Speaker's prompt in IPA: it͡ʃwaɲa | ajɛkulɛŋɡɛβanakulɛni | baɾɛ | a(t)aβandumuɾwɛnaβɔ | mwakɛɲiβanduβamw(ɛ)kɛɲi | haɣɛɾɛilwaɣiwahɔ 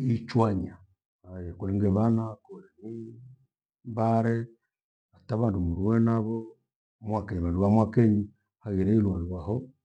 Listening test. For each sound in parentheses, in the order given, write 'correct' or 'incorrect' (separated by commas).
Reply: correct, incorrect